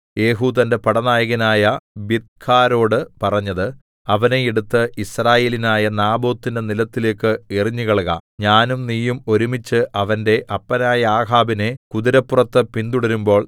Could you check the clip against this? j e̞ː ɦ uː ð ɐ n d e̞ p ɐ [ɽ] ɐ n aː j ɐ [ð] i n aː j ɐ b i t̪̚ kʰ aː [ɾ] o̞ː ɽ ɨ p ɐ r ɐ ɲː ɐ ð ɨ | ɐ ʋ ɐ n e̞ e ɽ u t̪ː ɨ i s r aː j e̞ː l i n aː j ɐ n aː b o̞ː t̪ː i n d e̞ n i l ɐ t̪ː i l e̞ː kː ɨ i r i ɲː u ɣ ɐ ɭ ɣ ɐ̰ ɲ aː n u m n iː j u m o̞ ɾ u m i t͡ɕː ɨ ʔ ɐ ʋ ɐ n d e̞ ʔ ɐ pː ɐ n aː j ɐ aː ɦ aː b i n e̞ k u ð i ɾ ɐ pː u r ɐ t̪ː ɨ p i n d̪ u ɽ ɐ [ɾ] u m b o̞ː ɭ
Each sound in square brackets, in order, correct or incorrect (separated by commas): correct, incorrect, correct, correct